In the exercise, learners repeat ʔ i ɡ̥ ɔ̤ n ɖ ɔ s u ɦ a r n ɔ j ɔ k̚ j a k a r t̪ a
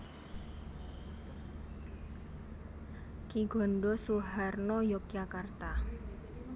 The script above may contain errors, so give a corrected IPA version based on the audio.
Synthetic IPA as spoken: k i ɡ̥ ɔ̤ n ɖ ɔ s u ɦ a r n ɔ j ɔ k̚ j a k a r t̪ a